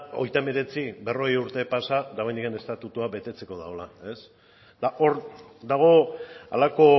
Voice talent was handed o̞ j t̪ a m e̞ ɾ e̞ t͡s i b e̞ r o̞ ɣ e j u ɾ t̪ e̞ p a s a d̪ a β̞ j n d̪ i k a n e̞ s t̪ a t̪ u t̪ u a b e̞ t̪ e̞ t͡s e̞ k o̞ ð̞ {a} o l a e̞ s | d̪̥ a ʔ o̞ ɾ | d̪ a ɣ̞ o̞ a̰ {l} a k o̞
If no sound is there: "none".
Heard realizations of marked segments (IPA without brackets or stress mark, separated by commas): a, l